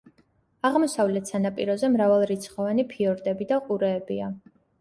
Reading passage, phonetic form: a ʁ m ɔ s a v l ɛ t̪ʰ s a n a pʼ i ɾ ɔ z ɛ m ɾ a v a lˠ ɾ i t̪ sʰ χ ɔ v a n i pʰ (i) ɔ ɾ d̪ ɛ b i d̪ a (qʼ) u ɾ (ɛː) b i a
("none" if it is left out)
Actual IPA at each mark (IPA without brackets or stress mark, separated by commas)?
i, qʼ, ɛː